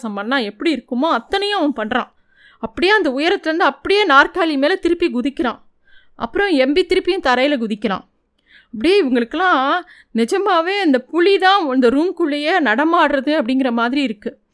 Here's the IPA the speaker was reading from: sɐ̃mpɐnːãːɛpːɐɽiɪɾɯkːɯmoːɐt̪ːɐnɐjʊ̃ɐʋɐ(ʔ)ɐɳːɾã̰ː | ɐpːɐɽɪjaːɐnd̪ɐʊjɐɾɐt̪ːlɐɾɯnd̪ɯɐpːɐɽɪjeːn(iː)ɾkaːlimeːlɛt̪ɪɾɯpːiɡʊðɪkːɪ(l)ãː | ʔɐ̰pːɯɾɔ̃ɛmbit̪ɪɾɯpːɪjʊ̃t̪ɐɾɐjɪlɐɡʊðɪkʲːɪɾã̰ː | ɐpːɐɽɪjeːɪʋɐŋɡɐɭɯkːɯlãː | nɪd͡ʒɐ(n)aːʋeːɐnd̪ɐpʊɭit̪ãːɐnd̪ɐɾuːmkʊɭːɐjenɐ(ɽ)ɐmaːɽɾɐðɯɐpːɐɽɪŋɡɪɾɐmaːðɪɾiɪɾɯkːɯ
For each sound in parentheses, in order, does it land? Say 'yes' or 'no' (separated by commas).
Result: no, no, no, no, yes